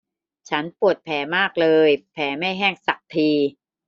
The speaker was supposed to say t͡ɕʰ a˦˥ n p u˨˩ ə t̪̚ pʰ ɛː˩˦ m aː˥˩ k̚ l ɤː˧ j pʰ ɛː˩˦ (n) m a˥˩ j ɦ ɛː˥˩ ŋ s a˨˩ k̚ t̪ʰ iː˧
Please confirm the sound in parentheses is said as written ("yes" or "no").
no